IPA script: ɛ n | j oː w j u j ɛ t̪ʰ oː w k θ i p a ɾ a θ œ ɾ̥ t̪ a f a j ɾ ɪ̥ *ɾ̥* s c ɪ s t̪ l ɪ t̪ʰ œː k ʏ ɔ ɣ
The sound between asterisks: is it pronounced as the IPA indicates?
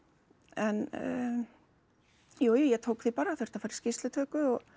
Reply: no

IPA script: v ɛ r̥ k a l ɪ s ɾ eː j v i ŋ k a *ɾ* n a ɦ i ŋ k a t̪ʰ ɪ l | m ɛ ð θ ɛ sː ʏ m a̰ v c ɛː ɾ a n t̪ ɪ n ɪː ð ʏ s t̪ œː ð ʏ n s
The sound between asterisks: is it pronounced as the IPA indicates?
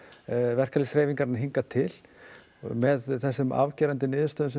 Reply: yes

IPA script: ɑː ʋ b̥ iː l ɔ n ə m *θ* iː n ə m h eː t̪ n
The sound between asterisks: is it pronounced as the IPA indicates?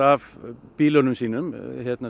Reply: no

